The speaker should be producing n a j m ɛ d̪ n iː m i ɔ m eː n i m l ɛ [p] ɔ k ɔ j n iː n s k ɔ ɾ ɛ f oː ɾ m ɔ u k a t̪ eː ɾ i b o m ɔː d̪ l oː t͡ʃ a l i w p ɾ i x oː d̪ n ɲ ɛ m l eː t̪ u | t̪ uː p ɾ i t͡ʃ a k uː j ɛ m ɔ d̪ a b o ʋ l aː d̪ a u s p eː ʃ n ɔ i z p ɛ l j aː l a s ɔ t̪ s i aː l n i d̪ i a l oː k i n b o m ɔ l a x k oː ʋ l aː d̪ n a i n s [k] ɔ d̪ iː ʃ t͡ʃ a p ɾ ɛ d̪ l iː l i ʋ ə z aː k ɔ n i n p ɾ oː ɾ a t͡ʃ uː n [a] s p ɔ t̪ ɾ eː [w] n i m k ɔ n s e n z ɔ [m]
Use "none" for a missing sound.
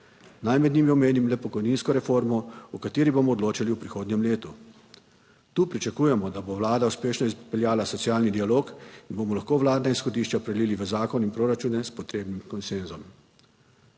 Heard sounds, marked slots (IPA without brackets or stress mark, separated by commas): p, x, ɛ, b, m